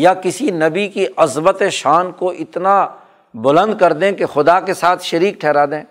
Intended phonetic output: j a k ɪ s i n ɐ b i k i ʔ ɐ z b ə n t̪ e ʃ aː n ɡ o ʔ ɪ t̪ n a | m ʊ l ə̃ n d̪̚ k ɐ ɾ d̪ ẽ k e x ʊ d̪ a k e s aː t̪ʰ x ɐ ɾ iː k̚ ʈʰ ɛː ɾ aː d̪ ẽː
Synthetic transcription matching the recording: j a k ɪ s i n ɐ b i k i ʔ ɐ z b ə t̪ e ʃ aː n k o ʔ ɪ t̪ n a | b ʊ l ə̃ n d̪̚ k ɐ ɾ d̪ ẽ k e x ʊ d̪ a k e s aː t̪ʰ ʃ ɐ ɾ iː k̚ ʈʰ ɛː ɾ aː d̪ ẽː